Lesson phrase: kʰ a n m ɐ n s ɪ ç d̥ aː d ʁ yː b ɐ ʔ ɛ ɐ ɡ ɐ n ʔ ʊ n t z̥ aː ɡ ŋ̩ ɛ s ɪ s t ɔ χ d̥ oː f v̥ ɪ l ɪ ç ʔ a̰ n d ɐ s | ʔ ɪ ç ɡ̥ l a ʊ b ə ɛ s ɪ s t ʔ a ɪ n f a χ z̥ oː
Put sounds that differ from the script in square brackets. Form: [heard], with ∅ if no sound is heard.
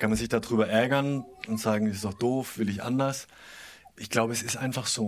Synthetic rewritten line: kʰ a n m [a] n [z] ɪ ç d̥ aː d ʁ yː b ɐ ʔ ɛ ɐ ɡ ɐ n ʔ ʊ n t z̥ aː ɡ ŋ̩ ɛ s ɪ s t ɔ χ d̥ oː f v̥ ɪ l ɪ ç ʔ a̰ n d ɐ s | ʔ ɪ ç ɡ̥ l a ʊ b ə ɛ s ɪ s t ʔ a ɪ n f a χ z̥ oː